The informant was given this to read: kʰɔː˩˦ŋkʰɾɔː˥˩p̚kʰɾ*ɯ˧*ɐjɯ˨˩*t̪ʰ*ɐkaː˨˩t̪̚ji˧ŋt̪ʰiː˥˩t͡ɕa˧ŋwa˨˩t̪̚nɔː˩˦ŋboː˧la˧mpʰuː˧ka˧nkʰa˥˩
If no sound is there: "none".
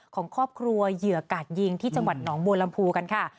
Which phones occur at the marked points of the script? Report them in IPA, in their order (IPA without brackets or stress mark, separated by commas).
u˧, none